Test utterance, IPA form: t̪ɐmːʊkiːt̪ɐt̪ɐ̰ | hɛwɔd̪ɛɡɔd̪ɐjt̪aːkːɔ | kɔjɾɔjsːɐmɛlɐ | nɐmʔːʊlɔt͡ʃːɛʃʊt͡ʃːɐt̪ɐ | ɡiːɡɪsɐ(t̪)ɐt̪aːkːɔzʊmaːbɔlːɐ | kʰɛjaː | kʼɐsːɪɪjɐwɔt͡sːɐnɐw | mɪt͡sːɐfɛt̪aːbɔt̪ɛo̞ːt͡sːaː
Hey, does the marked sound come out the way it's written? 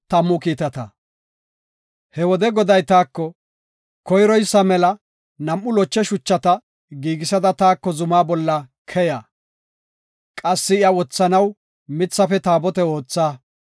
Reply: no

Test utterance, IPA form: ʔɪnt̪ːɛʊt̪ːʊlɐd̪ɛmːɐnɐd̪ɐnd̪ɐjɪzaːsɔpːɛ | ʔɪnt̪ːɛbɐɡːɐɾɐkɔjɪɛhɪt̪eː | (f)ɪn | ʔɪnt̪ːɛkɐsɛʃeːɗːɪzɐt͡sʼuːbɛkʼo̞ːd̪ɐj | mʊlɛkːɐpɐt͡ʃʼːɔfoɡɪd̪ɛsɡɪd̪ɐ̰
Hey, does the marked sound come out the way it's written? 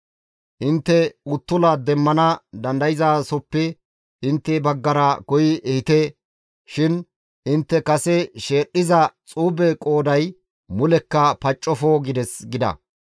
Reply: no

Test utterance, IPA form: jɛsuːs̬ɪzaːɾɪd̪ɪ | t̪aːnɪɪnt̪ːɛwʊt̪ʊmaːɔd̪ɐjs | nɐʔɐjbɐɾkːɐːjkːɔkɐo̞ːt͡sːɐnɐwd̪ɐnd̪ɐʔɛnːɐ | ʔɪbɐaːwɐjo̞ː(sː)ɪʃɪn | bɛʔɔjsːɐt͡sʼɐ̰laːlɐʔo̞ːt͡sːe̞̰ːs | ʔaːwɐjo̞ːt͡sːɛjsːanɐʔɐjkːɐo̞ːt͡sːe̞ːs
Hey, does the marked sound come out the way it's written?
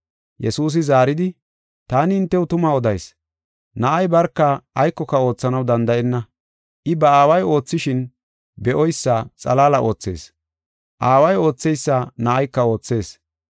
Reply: no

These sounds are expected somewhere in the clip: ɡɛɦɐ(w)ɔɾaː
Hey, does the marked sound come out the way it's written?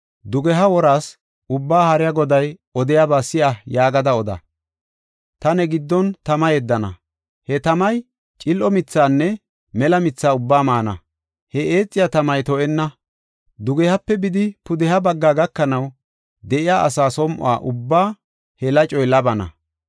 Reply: yes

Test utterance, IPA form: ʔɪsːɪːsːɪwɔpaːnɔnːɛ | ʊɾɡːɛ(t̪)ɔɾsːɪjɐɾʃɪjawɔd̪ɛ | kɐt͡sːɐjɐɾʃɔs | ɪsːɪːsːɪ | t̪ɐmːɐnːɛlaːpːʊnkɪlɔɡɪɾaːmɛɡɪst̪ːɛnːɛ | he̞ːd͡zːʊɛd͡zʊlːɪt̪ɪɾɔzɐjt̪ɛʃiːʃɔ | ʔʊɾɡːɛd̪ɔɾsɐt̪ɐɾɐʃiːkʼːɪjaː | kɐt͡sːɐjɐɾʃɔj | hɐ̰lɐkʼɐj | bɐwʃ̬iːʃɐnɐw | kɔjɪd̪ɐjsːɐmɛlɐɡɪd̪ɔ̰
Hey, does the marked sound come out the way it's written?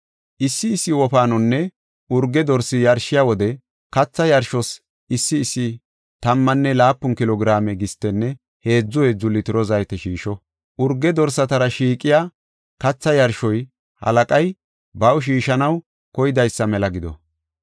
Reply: no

